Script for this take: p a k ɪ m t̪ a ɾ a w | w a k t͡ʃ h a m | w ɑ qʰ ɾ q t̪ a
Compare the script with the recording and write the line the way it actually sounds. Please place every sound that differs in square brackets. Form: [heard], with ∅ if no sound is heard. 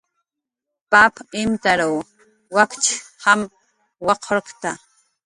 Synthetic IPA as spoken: p a [p] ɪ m t̪ a ɾ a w | w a k t͡ʃ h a m | w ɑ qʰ ɾ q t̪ a